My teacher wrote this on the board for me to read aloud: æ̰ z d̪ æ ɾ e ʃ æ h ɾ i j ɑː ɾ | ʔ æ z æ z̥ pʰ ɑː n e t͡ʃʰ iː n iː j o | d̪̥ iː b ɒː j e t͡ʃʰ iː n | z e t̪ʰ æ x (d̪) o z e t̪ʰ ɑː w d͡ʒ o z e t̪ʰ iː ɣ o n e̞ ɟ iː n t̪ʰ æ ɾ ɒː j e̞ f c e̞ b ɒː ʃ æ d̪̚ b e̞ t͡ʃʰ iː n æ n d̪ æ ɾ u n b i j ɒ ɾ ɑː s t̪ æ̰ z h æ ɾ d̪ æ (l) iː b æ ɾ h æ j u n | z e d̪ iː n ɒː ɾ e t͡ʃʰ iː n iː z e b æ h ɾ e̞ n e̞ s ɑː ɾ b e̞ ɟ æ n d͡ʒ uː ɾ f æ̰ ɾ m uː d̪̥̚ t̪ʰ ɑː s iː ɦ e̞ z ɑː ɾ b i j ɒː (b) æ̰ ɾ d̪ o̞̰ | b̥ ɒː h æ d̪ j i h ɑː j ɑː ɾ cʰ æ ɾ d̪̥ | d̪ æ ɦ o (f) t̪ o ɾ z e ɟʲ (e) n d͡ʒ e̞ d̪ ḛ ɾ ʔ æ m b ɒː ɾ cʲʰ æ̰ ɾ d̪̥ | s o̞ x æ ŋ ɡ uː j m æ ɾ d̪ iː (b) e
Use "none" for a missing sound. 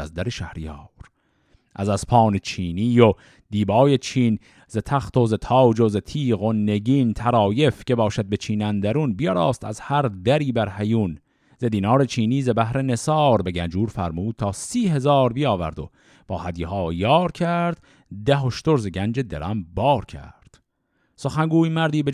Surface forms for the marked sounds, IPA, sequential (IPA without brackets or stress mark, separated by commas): t̪, ɾ, v, ʃ, æ, b